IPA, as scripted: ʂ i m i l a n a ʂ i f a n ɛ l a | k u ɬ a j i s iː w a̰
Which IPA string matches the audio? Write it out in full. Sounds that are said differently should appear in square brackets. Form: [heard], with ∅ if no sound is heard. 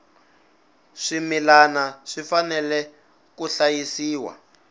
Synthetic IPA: ʂ i m i l a n a ʂ i f a n ɛ l [ɛ] | k u ɬ a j i s iː w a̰